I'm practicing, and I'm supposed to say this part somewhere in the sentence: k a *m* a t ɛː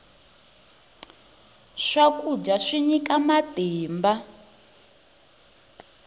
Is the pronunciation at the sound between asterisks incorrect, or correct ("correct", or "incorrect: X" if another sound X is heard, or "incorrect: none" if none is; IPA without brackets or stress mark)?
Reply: correct